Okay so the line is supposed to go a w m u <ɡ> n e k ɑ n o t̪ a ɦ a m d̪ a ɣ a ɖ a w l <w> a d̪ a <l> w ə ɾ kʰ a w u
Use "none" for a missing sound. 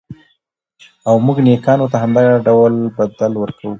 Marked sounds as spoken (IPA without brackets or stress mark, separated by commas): ɡ, b, l